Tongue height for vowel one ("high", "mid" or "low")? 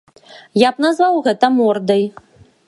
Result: low